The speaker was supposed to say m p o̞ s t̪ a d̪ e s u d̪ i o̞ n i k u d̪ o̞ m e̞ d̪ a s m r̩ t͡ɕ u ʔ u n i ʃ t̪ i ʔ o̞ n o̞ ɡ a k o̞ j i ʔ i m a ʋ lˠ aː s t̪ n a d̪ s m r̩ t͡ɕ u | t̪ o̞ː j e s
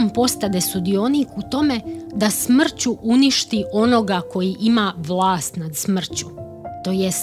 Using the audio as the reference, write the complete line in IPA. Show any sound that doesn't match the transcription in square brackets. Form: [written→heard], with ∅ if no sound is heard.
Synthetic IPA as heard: m p o̞ s t̪ a d̪ e s u d̪ i o̞ n i k u [d̪→t̪] o̞ m e̞ d̪ a s m r̩ t͡ɕ u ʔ u n i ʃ t̪ i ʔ o̞ n o̞ ɡ a k o̞ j i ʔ i m a ʋ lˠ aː s t̪ n a d̪ s m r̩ t͡ɕ u | t̪ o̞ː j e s